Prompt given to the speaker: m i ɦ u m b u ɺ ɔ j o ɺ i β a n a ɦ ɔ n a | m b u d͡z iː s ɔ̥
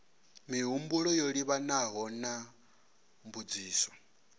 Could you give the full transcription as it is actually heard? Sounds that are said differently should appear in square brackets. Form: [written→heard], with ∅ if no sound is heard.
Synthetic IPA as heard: m i ɦ u m b u ɺ ɔ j o ɺ i β a n a ɦ ɔ n a | m b u d͡z iː s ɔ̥